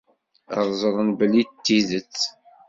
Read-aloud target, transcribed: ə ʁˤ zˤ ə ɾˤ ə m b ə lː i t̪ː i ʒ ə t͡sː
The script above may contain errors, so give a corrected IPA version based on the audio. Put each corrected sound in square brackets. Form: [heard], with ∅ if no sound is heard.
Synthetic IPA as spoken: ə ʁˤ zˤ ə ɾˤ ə [n] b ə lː i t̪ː i [ð] ə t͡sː